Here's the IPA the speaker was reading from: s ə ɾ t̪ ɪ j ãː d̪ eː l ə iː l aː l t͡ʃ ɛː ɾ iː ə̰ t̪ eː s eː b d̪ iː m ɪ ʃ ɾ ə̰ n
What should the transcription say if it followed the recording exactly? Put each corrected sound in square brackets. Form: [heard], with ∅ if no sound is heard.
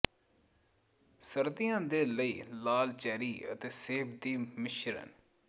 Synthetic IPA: s ə ɾ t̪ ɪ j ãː d̪ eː l ə iː l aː l t͡ʃ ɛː ɾ iː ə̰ t̪ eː s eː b d̪ iː m ɪ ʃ ɾ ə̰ n